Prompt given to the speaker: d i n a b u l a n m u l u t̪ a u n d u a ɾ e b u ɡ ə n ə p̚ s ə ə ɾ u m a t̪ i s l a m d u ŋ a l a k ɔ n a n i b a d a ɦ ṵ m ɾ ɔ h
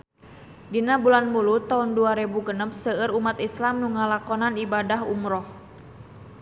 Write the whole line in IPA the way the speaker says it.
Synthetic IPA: d i n a b u l a n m u l u t̪ a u n d u a ɾ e b u ɡ ə n ə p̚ s ə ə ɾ u m a t̪ i s l a m n u ŋ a l a k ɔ n a n i b a d a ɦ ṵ m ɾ ɔ h